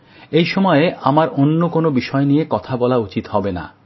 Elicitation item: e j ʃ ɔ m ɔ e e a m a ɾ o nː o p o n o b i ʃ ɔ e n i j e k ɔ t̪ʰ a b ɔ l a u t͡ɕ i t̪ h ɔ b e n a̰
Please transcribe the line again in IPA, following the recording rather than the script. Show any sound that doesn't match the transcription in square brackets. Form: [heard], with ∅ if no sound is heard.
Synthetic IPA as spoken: e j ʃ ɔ m ɔ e e a m a ɾ o nː o [k] o n o b i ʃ ɔ e n i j e k ɔ t̪ʰ a b ɔ l a u t͡ɕ i t̪ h ɔ b e n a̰